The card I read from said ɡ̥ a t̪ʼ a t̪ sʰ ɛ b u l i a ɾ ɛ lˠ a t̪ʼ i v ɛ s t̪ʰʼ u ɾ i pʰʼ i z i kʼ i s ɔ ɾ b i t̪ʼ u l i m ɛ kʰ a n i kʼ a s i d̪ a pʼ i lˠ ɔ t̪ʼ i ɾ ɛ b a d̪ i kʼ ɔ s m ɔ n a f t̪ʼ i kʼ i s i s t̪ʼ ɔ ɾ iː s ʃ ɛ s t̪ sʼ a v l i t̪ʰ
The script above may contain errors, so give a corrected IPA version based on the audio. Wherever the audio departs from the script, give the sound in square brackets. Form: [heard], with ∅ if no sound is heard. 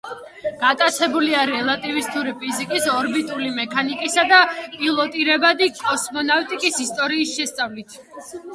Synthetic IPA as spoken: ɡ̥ a t̪ʼ a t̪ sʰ ɛ b u l i a ɾ ɛ lˠ a t̪ʼ i v [i] s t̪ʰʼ u ɾ i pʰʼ i z i kʼ i s ɔ ɾ b i t̪ʼ u l i m ɛ kʰ a n i kʼ [i] s [a] d̪ a pʼ i lˠ ɔ t̪ʼ i ɾ ɛ b a d̪ i kʼ ɔ s m ɔ n a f t̪ʼ i kʼ i s i s t̪ʼ ɔ ɾ iː s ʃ ɛ s t̪ sʼ a v l i t̪ʰ

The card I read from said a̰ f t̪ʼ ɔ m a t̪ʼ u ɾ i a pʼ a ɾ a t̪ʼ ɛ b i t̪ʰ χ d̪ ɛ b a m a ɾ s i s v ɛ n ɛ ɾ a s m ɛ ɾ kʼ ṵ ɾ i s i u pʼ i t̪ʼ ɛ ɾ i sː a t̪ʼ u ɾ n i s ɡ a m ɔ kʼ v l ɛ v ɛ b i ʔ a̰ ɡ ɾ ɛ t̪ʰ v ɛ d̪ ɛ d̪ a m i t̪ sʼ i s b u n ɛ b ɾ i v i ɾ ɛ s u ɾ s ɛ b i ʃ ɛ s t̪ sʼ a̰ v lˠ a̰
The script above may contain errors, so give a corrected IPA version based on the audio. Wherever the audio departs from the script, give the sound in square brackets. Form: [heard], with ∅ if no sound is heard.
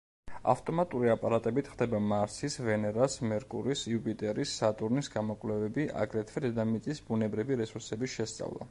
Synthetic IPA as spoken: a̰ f t̪ʼ ɔ m a t̪ʼ u ɾ i a pʼ a ɾ a t̪ʼ ɛ b i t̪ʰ χ d̪ ɛ b a m a ɾ s i s v ɛ n ɛ ɾ a s m ɛ ɾ kʼ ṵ ɾ i s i u pʼ i t̪ʼ ɛ ɾ i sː a t̪ʼ u ɾ n i s ɡ a m ɔ kʼ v l ɛ v ɛ b i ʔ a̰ ɡ ɾ ɛ t̪ʰ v ɛ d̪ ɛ d̪ a m i t̪ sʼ i s b u n ɛ b ɾ i v i ɾ ɛ s u ɾ s ɛ b i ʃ ɛ s t̪ sʼ a̰ v lˠ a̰

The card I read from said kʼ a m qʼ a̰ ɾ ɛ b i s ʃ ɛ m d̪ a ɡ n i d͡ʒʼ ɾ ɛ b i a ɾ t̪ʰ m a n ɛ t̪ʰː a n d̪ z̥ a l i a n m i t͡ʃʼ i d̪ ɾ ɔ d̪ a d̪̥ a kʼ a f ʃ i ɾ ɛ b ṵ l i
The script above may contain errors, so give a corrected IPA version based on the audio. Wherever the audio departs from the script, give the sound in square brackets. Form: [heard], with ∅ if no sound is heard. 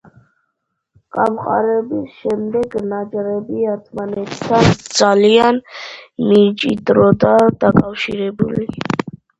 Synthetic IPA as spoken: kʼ a m qʼ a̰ ɾ ɛ b i s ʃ ɛ m d̪ [ɛ] ɡ n [a] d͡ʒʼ ɾ ɛ b i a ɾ t̪ʰ m a n ɛ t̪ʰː a n d̪ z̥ a l i a n m i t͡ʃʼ i d̪ ɾ ɔ d̪ a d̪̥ a kʼ a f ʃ i ɾ ɛ b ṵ l i

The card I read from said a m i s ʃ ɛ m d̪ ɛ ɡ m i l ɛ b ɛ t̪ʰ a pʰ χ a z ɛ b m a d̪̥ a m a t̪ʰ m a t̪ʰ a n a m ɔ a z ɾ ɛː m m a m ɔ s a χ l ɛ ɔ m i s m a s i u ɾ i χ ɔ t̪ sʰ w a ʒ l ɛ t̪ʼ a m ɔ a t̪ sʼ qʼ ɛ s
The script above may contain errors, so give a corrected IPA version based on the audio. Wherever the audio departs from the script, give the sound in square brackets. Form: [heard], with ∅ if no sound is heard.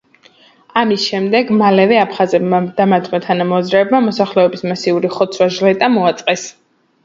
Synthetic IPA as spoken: a m i s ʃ ɛ m d̪ ɛ ɡ m [a] l ɛ [v] ɛ [∅] a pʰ χ a z ɛ b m a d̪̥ a m a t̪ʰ m a t̪ʰ a n a m ɔ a z ɾ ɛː [b] m a m ɔ s a χ l ɛ ɔ [b] i s m a s i u ɾ i χ ɔ t̪ sʰ w a ʒ l ɛ t̪ʼ a m ɔ a t̪ sʼ qʼ ɛ s

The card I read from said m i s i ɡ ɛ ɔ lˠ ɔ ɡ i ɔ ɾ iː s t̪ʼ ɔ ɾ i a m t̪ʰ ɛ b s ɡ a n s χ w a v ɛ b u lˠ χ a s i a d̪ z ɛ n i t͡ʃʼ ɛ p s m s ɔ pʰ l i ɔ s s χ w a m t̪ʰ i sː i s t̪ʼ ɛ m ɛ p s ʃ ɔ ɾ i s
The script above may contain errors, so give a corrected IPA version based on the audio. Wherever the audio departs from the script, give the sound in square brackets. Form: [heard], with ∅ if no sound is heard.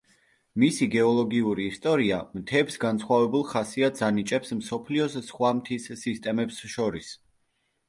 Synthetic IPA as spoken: m i s i ɡ ɛ ɔ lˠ ɔ ɡ i [u] ɾ iː s t̪ʼ ɔ ɾ i a m t̪ʰ ɛ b s ɡ a n s χ w a v ɛ b u lˠ χ a s i a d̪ z [a] n i t͡ʃʼ ɛ p s m s ɔ pʰ l i ɔ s s χ w a m t̪ʰ i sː i s t̪ʼ ɛ m ɛ p s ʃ ɔ ɾ i s

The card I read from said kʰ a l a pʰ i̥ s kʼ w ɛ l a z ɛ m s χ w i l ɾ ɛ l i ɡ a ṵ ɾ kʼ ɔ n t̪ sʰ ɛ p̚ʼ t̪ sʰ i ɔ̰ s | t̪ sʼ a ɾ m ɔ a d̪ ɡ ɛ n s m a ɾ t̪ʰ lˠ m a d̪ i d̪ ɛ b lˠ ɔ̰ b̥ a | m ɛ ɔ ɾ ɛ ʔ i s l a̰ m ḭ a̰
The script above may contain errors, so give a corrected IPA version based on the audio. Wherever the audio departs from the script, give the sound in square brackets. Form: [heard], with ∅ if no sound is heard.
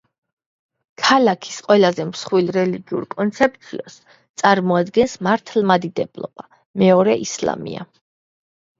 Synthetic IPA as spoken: kʰ a l a [kʰ] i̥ s [qʼ] w ɛ l a z ɛ m s χ w i l ɾ ɛ l i ɡ [i] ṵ ɾ kʼ ɔ n t̪ sʰ ɛ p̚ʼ t̪ sʰ i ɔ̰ s | t̪ sʼ a ɾ m ɔ a d̪ ɡ ɛ n s m a ɾ t̪ʰ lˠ m a d̪ i d̪ ɛ b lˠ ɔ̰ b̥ a | m ɛ ɔ ɾ ɛ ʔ i s l a̰ m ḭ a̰

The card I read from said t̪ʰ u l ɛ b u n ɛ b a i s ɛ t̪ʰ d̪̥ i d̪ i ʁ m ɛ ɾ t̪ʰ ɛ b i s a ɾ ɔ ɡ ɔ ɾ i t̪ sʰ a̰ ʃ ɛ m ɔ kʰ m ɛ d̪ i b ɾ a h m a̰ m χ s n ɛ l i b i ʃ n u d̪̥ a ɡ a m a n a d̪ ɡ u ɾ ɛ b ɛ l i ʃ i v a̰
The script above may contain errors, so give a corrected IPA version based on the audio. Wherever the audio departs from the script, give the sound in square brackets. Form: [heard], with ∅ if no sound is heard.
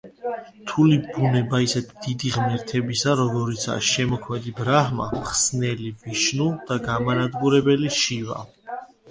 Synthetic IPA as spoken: t̪ʰ u l [i] b u n ɛ b a i s ɛ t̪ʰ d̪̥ i d̪ i ʁ m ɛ ɾ t̪ʰ ɛ b i s a ɾ ɔ ɡ ɔ ɾ i t̪ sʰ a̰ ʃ ɛ m ɔ kʰ m ɛ d̪ i b ɾ a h m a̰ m χ s n ɛ l i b i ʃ n u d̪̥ a ɡ a m a n a d̪ ɡ u ɾ ɛ b ɛ l i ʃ i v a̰

